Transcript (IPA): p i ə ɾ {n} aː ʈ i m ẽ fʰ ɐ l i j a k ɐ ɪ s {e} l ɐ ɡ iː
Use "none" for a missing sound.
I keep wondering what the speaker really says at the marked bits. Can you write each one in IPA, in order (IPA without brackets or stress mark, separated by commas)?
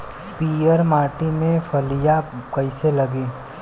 m, e